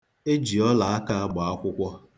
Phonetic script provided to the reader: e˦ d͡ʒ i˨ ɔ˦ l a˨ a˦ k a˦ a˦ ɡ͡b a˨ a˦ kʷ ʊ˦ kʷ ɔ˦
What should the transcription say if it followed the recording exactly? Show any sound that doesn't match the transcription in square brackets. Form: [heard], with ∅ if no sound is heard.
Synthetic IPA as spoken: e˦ d͡ʒ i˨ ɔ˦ l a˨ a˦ k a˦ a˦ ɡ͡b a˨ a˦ kʷ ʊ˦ kʷ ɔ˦